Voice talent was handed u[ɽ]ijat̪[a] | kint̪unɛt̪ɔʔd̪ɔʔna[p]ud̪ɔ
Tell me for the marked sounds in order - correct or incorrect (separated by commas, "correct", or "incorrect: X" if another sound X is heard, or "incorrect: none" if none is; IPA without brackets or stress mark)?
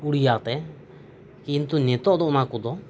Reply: correct, incorrect: ɛ, incorrect: k